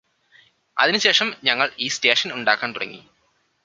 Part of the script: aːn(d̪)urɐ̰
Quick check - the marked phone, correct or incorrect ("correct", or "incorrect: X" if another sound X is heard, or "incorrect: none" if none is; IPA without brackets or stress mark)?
incorrect: t̪